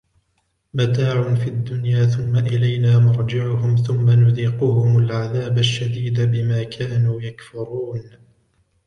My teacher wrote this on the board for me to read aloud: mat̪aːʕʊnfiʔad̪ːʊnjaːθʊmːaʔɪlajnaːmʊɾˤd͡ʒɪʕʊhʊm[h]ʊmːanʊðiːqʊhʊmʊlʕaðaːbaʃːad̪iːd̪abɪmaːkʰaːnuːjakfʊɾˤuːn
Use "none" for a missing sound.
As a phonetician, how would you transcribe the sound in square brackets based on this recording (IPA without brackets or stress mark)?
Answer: θ